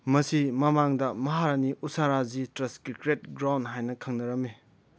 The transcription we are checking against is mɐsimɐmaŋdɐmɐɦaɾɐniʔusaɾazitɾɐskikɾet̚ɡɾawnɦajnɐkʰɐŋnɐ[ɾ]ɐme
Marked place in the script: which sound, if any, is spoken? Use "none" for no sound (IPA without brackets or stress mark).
ɾ